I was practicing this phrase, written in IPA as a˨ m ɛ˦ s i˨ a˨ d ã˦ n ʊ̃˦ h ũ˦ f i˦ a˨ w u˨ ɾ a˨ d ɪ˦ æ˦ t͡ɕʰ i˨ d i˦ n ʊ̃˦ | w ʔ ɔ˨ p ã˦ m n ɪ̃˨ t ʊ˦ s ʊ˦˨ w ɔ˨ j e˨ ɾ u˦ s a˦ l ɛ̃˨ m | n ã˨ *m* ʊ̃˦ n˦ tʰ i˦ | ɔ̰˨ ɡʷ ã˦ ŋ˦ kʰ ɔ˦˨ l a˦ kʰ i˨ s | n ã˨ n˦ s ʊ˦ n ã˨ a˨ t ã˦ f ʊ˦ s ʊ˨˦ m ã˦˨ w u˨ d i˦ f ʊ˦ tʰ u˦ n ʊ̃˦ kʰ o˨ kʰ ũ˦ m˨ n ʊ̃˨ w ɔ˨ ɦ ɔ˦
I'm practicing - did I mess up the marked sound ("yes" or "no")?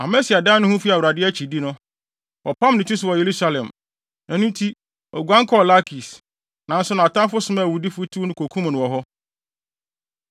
yes